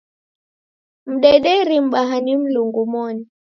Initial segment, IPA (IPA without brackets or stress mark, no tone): m̩